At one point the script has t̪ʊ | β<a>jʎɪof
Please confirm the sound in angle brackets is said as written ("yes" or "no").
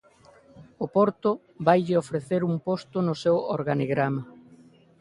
yes